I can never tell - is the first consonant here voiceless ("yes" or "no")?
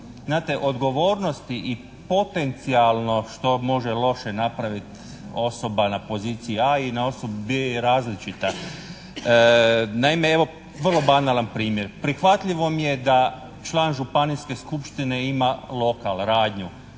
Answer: no